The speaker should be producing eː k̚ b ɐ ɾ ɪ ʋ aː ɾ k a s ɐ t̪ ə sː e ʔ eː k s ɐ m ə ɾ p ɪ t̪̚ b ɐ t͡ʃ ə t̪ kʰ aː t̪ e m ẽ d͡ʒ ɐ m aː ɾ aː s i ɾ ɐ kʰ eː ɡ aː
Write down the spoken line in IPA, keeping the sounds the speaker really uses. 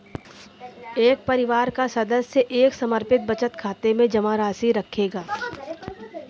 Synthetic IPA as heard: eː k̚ p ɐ ɾ ɪ ʋ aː ɾ k a s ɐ d̪ ə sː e ʔ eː k s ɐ m ə ɾ p ɪ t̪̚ b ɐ t͡ʃ ə t̪ kʰ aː t̪ e m ẽ d͡ʒ ɐ m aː ɾ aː s i ɾ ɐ kʰ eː ɡ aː